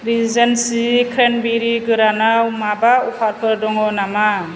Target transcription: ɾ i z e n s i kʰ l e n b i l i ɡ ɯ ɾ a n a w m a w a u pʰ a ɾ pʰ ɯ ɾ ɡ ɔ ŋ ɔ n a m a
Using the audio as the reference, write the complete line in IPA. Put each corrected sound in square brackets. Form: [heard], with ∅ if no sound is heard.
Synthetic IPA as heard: ɾ i z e n s i kʰ [ɾ] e n b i [ɾ] i ɡ ɯ ɾ a n a w m a [b] a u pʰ a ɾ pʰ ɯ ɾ [d] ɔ ŋ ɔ n a m a